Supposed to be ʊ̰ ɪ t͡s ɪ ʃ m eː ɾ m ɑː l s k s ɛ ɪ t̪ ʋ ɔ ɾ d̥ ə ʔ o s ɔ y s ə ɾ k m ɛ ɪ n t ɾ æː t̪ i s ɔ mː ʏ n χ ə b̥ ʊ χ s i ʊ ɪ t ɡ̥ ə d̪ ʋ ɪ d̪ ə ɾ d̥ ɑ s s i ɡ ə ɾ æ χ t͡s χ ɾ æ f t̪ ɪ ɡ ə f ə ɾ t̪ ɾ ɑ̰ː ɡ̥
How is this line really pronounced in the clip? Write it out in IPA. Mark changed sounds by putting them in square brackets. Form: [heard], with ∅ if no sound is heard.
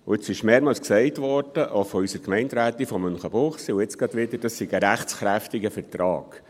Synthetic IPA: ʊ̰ ɪ t͡s ɪ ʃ m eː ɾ m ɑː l s k s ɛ ɪ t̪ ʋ ɔ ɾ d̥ ə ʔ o [f] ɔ y s ə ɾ k m ɛ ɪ n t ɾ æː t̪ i [f] ɔ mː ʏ n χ ə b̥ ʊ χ s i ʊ ɪ [t͡s] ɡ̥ [ɑ] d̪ ʋ ɪ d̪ ə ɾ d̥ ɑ s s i ɡ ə ɾ æ χ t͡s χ ɾ æ f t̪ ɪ ɡ ə f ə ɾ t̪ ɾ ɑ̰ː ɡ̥